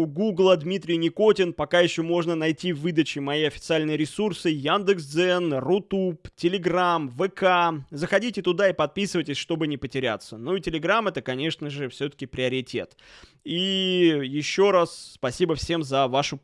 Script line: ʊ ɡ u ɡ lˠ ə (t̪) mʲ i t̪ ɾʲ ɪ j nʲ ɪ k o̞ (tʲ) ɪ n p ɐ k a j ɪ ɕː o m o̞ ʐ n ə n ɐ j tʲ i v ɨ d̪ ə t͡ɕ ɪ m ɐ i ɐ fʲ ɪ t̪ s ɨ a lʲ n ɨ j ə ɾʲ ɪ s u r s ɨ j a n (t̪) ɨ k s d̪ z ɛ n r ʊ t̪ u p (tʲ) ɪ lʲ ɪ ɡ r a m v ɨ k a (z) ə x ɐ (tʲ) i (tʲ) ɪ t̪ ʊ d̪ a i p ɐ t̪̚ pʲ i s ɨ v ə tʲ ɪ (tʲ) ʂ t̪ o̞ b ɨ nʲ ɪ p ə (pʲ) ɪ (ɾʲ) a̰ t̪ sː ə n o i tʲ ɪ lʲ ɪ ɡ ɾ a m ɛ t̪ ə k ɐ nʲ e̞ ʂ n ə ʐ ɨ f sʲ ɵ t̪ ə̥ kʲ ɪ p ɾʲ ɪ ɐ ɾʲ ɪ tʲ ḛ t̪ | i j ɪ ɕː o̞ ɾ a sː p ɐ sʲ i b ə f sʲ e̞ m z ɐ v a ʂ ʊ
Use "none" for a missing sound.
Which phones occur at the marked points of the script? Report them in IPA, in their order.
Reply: d̪, tʲ, d̪, tʲ, z, dʲ, tʲ, sʲ, tʲ, ɾʲ

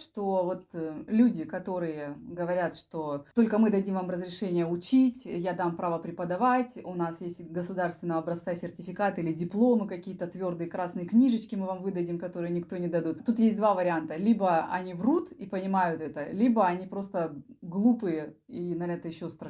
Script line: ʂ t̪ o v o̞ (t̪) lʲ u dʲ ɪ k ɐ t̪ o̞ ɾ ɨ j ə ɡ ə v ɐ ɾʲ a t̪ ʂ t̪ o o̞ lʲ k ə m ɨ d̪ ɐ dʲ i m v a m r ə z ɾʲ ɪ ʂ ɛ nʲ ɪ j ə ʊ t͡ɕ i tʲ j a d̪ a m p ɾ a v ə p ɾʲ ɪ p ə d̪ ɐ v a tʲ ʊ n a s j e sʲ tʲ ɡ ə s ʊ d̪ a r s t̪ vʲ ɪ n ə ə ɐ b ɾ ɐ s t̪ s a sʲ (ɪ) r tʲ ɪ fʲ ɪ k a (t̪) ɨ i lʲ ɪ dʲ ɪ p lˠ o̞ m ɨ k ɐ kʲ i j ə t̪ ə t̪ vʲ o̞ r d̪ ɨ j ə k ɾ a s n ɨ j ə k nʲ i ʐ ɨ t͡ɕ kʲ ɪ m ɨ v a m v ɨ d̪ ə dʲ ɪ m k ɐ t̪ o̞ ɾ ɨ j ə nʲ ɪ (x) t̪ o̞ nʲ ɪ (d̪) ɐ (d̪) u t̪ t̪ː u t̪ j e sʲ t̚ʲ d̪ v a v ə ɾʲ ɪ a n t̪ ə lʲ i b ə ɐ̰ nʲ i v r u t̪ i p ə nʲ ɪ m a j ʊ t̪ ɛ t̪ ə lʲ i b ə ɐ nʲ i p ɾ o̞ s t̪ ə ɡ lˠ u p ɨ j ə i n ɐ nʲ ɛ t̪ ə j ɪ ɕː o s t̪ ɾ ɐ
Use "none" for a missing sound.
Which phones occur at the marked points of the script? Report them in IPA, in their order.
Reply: t̪, ɪ, t̪, k, d̪, d̪

